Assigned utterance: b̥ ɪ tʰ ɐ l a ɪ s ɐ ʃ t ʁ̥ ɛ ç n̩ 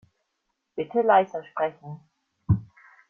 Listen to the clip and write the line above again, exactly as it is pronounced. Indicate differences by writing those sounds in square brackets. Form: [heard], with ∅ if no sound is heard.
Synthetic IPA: b̥ ɪ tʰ [ə] l a ɪ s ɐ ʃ [p] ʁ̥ ɛ ç n̩